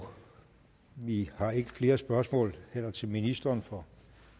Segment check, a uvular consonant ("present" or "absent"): absent